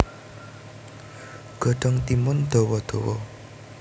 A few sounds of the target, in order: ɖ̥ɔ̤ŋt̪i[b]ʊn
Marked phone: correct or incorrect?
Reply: incorrect